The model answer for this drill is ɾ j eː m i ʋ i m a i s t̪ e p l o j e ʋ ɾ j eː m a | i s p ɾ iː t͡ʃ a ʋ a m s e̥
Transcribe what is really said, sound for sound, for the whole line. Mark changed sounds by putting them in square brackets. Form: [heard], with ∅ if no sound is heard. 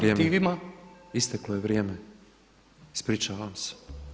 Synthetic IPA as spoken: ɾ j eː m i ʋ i m a i s t̪ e [k] l o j e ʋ ɾ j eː m [e] | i s p ɾ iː t͡ʃ a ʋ a m s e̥